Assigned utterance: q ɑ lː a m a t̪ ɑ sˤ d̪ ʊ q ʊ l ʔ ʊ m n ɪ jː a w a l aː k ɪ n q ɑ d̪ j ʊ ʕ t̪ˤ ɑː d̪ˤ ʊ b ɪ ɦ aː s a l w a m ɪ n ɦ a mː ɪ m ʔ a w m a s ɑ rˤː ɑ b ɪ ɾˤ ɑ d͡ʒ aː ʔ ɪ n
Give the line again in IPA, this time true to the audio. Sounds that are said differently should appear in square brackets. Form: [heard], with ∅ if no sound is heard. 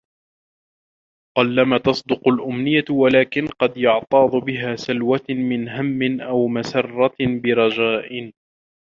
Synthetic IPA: q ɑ lː a m a t̪ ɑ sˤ d̪ ʊ q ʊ l ʔ ʊ m n ɪ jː a w a l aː k ɪ n q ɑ d̪ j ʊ ʕ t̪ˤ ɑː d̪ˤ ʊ b ɪ ɦ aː s a l w a m ɪ n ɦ a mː ɪ [n] ʔ a w m a s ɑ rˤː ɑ b ɪ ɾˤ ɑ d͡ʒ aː ʔ ɪ n